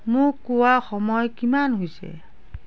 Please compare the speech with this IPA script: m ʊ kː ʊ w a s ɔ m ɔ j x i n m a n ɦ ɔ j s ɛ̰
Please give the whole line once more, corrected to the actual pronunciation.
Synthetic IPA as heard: m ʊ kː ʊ w a x ɔ m ɔ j k i m a n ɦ o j s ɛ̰

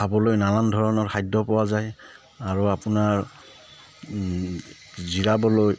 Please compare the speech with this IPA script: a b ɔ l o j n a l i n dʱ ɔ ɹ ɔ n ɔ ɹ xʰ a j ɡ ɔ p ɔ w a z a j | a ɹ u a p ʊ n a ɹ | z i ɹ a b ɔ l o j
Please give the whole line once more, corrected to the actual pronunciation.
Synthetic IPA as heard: a b ɔ l o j n a l a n dʱ ɔ ɹ ɔ n ɔ ɹ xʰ a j d ɔ p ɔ w a z a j | a ɹ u a p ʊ n a ɹ | z i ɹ a b ɔ l o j

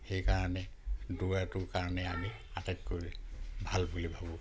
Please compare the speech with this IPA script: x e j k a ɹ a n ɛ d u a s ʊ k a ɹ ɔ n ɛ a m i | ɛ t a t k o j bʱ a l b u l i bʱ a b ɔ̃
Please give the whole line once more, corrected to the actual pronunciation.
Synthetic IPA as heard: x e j k a ɹ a n ɛ d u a t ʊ k a ɹ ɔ n ɛ a m i | a t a t k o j bʱ a l b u l i bʱ a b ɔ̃

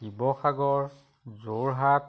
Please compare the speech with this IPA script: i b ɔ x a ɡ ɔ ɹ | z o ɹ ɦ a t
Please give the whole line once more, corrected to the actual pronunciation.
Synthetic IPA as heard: i b ɔ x a ɡ ɔ ɹ | z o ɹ ɦ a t

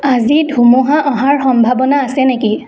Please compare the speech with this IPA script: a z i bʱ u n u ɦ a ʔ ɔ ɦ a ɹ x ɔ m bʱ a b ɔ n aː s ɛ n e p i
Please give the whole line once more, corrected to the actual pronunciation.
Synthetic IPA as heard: a z i dʱ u m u ɦ a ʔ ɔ ɦ a ɹ x ɔ m bʱ a b ɔ n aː s ɛ n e k i

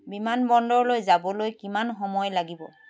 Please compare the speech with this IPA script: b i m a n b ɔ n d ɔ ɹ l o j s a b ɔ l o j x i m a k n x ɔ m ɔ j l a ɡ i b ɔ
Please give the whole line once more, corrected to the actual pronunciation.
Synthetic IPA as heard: b i m a n b ɔ n d ɔ ɹ l o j z a b ɔ l o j k i m a n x ɔ m ɔ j l a ɡ i b ɔ

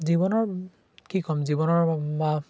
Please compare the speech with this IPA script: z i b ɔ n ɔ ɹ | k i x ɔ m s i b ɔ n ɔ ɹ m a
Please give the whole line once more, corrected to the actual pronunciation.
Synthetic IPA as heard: z i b ɔ n ɔ ɹ | k i k ɔ m z i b ɔ n ɔ ɹ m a

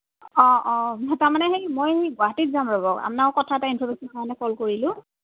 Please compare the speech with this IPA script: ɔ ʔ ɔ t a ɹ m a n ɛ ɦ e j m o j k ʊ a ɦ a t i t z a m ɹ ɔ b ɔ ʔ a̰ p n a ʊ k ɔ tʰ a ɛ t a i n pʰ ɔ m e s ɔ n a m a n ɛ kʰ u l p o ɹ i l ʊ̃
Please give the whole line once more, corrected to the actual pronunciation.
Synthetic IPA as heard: ɔ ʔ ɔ t a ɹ m a n ɛ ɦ e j m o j ɡ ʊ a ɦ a t i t z a m ɹ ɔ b ɔ k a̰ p n a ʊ k ɔ tʰ a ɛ t a i n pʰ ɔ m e s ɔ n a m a n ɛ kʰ ɔ l k o ɹ i l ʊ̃

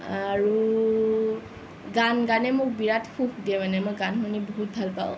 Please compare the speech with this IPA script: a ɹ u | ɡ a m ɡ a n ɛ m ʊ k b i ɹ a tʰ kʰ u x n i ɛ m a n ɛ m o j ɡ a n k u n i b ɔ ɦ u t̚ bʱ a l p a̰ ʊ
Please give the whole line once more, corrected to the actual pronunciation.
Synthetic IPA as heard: a ɹ u | ɡ a n ɡ a n ɛ m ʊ k b i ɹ a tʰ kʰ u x d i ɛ m a n ɛ m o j ɡ a n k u n i b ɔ ɦ u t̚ bʱ a l p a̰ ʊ

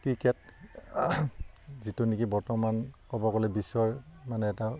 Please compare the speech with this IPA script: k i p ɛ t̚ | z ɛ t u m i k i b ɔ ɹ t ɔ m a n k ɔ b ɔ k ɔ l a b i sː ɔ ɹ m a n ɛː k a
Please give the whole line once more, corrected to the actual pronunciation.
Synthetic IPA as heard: k i k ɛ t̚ | z i t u n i k i b ɔ ɹ t ɔ m a n k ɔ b ɔ k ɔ l ɛ b i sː ɔ ɹ m a n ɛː t a

